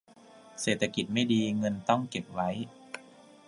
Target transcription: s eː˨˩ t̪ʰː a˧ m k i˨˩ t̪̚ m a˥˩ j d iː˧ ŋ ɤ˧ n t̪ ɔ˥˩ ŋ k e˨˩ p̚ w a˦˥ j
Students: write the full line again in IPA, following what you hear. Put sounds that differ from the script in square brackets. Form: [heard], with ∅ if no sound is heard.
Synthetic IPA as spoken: s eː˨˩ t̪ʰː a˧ [∅] k i˨˩ t̪̚ m a˥˩ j d iː˧ ŋ ɤ˧ n t̪ ɔ˥˩ ŋ k e˨˩ p̚ w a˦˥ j